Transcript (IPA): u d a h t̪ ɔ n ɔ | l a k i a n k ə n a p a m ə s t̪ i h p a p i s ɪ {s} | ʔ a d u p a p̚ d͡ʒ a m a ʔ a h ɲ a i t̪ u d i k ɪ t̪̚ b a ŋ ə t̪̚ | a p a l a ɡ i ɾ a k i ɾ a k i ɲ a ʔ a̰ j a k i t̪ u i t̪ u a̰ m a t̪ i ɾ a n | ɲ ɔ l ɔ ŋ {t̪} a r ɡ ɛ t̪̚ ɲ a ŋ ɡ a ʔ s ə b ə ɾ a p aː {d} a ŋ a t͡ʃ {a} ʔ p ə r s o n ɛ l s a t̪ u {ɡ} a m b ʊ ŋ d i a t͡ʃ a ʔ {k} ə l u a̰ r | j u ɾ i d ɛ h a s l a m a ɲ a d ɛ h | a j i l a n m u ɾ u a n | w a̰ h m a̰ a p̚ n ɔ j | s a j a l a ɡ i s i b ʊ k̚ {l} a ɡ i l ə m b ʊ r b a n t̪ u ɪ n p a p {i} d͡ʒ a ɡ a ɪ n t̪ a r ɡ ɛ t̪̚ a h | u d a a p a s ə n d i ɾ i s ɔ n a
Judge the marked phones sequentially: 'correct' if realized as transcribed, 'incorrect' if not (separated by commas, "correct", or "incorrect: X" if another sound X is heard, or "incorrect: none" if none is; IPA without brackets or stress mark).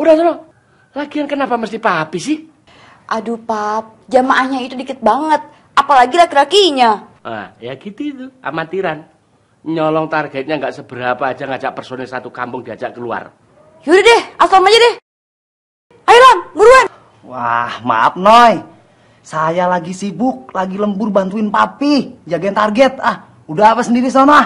incorrect: h, correct, incorrect: d͡ʒ, correct, incorrect: k, correct, correct, correct